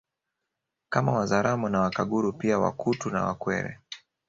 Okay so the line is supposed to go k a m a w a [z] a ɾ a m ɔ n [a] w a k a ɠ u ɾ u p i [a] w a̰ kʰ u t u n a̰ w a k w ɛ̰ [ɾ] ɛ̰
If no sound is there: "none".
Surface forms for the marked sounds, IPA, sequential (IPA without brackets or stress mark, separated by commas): z, a, a, ɾ